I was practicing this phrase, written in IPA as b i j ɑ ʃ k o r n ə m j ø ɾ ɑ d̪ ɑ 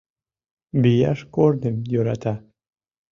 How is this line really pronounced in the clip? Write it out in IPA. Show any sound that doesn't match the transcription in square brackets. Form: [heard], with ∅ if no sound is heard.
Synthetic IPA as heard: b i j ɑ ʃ k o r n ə m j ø ɾ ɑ [t̪] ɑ

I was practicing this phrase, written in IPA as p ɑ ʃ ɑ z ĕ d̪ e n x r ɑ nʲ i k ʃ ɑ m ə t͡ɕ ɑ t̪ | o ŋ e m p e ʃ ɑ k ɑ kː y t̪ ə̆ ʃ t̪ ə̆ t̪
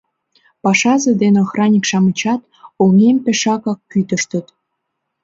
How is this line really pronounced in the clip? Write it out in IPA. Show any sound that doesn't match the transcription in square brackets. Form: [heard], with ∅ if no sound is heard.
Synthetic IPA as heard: p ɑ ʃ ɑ z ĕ d̪ e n x r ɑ nʲ i k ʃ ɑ m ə t͡ɕ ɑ t̪ | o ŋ e m p e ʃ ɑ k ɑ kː y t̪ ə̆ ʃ t̪ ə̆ t̪

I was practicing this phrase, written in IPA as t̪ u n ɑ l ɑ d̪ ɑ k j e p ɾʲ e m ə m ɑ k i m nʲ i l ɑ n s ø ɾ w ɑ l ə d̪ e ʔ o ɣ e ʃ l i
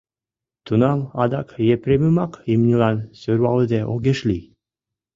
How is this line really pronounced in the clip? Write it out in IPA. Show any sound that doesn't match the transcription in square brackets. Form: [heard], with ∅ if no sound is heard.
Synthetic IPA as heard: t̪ u n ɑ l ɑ d̪ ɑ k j e p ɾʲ e m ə m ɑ k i m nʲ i l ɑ n s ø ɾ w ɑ l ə d̪ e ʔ o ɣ e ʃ l i

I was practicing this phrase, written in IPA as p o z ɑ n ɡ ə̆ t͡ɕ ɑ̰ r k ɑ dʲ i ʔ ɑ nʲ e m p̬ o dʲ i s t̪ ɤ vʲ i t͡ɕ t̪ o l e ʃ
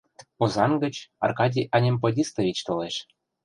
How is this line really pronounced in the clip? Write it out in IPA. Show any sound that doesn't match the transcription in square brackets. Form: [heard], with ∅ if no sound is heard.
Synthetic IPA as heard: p o z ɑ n ɡ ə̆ t͡ɕ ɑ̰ r k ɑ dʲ i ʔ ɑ nʲ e m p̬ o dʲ i s t̪ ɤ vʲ i t͡ɕ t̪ o l e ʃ

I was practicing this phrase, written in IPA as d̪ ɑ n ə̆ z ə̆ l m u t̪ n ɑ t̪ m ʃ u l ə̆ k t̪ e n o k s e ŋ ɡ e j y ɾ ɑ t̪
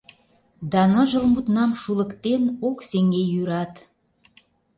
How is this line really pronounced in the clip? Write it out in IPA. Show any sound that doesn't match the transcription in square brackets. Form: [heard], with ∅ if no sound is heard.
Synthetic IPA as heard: d̪ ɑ n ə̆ [ʒ] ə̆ l m u t̪ n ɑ [∅] m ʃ u l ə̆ k t̪ e n o k s e ŋ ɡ e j y ɾ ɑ t̪

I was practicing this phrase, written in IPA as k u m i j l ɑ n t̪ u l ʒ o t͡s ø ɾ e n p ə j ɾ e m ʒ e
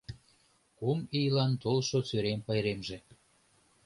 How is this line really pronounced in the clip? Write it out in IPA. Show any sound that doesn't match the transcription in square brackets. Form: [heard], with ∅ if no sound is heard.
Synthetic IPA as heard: k u m i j l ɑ n t̪ [o] l [ʃ] o t͡s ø ɾ e [m] p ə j ɾ e m ʒ e

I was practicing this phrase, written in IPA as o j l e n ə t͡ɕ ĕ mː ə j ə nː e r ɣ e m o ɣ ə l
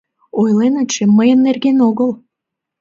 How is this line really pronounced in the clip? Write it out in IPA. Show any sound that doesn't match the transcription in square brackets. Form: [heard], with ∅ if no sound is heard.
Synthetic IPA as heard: o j l e n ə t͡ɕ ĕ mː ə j ə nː e r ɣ e [n] o ɣ ə l

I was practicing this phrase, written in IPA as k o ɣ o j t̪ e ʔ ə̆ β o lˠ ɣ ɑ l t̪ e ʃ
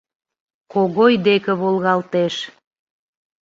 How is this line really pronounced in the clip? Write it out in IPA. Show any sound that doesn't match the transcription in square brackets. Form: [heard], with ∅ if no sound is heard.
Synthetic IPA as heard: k o ɣ o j [d̪] e [k] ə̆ β o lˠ ɣ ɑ l t̪ e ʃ

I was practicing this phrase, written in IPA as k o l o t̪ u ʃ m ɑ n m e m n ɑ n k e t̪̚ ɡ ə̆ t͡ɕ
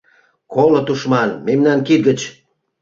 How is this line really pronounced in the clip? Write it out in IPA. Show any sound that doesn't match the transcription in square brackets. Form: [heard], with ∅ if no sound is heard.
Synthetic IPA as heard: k o l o t̪ u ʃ m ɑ n m e m n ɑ n k [i] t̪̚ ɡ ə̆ t͡ɕ

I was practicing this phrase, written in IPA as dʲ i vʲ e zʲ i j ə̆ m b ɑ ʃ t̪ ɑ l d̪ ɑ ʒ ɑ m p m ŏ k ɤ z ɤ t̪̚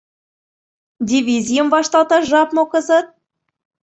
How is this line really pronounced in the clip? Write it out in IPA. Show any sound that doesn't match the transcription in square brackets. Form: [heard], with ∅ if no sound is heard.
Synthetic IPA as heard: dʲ i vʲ [i] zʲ i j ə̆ m [v] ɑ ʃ t̪ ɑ l [t̪] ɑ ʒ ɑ [∅] p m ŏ k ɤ z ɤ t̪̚

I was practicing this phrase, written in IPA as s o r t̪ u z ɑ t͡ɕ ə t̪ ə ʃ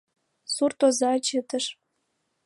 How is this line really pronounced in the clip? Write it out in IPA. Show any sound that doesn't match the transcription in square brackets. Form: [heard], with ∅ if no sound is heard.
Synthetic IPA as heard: s [u] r t̪ [o] z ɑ t͡ɕ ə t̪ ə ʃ

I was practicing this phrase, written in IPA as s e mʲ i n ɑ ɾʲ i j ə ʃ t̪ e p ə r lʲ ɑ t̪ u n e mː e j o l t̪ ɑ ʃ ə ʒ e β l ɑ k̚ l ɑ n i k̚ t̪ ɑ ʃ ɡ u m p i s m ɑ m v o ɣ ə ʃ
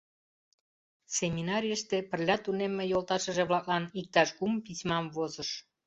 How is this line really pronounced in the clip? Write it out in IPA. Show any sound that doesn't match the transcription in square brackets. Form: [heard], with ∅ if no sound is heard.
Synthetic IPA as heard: s e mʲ i n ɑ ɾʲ i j ə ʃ t̪ e p ə r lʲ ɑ t̪ u n e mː e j o l t̪ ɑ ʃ ə ʒ e β l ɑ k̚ l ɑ n i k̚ t̪ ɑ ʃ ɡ u m p i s m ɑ m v o [z] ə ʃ

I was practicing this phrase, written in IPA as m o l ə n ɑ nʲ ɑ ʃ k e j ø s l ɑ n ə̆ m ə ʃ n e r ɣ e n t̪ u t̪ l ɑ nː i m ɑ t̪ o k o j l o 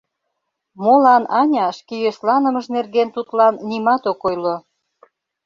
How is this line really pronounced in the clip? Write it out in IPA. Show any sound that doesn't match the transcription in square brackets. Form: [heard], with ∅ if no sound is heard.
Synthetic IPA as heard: m o l [ɑ] n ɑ nʲ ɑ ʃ k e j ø s l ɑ n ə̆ m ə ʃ n e r ɣ e n t̪ u t̪ l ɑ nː i m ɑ t̪ o k o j l o

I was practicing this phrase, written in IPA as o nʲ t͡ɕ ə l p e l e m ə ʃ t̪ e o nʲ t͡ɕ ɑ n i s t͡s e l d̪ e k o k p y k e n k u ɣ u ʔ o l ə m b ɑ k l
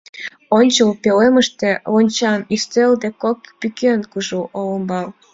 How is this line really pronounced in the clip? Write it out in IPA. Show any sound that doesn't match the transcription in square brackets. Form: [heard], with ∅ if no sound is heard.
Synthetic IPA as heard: o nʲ t͡ɕ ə l p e l e m ə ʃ t̪ e o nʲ t͡ɕ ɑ n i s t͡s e l d̪ e k o k p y k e n k u [ʒ] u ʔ o l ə m b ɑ [∅] l

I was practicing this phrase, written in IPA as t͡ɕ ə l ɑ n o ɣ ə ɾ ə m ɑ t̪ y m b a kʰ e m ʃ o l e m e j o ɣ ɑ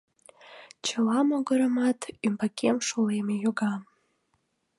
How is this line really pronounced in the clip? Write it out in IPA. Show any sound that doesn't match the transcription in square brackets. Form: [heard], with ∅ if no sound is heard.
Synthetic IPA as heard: t͡ɕ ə l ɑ [m] o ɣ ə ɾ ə m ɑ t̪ y m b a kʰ e m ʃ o l e m e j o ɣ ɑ

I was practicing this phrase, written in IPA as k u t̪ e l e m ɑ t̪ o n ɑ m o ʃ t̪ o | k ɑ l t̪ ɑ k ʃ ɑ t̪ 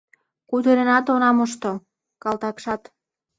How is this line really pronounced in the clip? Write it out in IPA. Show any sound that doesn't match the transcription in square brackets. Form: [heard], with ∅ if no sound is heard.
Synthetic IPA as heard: k u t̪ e [ɾ] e [n] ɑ t̪ o n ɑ m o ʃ t̪ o | k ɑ l t̪ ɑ k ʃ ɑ t̪

